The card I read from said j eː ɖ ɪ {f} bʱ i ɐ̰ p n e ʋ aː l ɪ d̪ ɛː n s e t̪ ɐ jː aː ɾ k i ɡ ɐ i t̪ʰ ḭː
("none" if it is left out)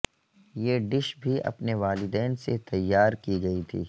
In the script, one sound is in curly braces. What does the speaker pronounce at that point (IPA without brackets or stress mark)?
ʃ